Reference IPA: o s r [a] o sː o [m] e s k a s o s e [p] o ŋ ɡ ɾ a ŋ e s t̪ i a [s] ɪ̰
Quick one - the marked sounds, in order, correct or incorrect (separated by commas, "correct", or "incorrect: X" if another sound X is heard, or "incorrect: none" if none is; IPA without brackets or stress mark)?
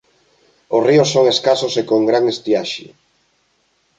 incorrect: i, incorrect: ŋ, incorrect: k, incorrect: ʃ